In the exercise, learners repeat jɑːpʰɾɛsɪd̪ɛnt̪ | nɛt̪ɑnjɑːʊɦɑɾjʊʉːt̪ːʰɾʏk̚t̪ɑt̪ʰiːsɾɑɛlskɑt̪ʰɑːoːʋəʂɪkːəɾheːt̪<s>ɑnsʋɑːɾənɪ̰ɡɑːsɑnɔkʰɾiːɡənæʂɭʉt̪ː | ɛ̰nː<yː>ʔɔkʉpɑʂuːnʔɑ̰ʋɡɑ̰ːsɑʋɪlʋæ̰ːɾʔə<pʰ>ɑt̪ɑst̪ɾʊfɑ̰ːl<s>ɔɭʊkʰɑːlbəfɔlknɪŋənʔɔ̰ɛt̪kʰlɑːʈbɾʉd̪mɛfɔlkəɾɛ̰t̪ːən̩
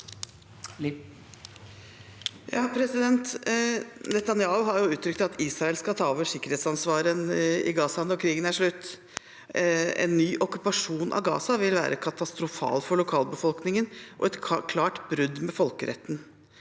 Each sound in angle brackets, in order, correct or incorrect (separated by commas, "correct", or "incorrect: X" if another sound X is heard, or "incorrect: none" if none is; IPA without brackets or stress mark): correct, correct, incorrect: kʰ, incorrect: f